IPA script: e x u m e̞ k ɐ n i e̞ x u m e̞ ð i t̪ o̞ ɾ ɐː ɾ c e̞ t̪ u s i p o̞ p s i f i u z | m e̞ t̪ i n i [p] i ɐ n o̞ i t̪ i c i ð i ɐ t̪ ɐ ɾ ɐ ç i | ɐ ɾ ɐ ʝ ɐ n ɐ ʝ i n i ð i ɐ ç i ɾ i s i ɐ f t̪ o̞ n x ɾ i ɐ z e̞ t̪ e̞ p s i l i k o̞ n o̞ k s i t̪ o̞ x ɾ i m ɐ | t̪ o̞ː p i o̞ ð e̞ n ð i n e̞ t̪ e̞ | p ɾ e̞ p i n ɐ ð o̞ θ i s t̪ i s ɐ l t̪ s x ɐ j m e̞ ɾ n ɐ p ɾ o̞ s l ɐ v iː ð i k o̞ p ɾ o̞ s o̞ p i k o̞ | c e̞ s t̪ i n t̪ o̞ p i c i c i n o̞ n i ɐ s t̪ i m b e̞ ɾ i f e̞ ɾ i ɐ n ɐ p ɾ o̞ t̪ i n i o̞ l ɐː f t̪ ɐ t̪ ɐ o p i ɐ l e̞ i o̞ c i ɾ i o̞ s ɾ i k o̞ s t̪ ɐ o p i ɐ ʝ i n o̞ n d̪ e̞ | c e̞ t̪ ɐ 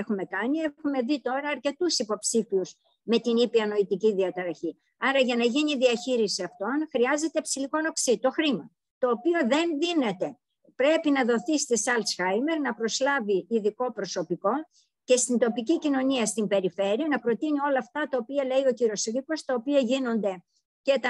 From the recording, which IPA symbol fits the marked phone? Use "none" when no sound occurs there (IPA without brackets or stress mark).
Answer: p